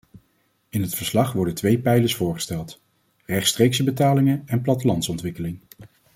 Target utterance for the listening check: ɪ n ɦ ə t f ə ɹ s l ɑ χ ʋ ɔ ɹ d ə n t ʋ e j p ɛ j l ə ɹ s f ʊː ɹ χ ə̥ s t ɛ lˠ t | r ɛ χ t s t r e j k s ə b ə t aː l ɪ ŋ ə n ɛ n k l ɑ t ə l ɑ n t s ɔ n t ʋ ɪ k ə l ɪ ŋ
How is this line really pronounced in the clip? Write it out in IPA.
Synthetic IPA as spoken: ɪ n ɦ ə t f ə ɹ s l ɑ χ ʋ ɔ ɹ d ə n t ʋ e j p ɛ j l ə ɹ s f ʊː ɹ χ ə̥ s t ɛ lˠ t | r ɛ χ t s t r e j k s ə b ə t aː l ɪ ŋ ə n ɛ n p l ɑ t ə l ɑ n t s ɔ n t ʋ ɪ k ə l ɪ ŋ